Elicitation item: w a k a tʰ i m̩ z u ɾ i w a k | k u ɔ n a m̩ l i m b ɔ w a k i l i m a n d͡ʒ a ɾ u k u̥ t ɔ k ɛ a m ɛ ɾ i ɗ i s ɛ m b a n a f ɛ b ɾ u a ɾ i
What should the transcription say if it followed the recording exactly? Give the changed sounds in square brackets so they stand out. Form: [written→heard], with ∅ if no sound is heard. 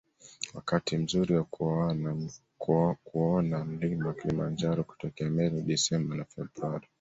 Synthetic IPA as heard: w a k a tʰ i m̩ z u ɾ i w a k | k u ɔ n a m̩ l i m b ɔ w a k i l i m a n d͡ʒ a ɾ [u→ɔ] k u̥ t ɔ k ɛ a m ɛ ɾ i ɗ i s ɛ m b a n a f ɛ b ɾ u a ɾ i